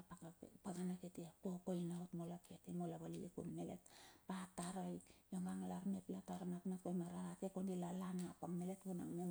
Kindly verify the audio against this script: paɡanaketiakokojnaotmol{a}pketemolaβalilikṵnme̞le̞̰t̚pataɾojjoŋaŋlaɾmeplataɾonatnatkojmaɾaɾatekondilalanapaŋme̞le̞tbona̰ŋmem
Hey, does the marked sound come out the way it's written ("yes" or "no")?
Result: yes